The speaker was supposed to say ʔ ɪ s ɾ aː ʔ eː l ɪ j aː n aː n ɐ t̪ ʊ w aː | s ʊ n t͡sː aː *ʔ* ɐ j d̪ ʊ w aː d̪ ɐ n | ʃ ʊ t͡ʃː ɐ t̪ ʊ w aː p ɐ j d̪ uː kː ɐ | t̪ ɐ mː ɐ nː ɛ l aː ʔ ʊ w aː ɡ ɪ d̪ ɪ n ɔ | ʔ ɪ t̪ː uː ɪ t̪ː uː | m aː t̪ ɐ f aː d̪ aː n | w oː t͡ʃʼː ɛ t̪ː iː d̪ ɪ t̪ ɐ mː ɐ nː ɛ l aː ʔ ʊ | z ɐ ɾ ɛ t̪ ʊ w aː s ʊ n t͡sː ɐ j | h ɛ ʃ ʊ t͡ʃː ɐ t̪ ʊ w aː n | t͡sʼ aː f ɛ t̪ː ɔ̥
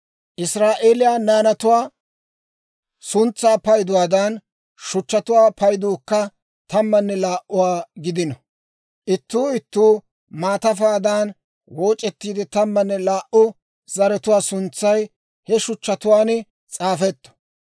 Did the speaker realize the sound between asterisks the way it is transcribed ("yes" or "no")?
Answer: no